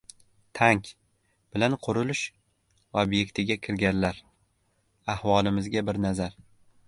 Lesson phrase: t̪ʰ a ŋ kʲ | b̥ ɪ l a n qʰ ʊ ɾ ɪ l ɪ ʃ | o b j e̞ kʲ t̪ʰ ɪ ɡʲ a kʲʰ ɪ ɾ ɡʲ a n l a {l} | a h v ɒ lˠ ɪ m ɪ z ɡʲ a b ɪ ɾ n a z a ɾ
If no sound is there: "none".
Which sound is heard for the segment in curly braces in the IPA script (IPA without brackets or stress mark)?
ɾ